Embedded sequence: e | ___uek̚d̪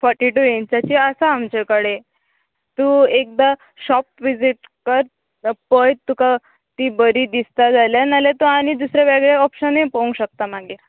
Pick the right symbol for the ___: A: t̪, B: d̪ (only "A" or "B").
A